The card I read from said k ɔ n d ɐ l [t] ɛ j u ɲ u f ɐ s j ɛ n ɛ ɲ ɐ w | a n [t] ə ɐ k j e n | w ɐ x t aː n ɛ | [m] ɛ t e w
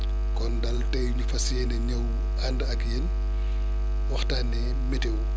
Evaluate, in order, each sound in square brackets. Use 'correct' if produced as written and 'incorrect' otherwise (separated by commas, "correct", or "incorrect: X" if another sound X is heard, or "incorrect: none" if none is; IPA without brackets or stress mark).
correct, incorrect: d, correct